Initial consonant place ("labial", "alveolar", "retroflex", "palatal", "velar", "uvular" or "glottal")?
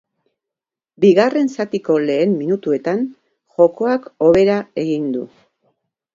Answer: labial